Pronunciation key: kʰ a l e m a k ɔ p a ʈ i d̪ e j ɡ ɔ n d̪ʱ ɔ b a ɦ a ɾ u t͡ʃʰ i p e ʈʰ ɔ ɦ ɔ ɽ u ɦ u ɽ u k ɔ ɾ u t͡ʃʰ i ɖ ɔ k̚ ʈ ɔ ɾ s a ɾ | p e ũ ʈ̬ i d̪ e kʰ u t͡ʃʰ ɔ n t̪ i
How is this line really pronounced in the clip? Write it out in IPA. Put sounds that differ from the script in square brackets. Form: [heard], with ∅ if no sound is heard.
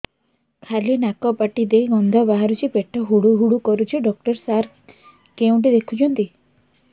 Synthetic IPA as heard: kʰ a l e [n] a k ɔ p a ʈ i d̪ e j ɡ ɔ n d̪ʱ ɔ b a ɦ a ɾ u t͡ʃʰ i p e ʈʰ ɔ ɦ [u] ɽ u ɦ u ɽ u k ɔ ɾ u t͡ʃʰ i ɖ ɔ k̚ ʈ ɔ ɾ s a ɾ | [k] e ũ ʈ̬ i d̪ e kʰ u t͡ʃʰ ɔ n t̪ i